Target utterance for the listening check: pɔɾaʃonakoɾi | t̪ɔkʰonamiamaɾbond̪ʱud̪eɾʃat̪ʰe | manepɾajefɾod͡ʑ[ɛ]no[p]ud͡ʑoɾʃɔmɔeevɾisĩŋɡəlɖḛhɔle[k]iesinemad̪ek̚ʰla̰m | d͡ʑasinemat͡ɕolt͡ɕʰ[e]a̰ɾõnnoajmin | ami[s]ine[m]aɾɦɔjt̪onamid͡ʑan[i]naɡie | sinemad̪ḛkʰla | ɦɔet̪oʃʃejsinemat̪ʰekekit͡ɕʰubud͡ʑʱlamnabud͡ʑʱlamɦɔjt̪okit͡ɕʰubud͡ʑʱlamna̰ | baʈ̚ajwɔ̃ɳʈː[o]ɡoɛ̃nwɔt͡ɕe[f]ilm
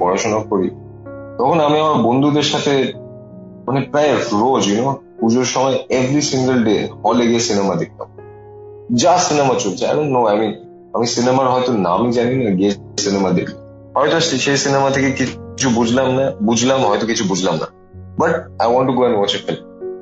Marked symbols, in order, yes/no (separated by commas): no, yes, no, yes, yes, yes, yes, no, yes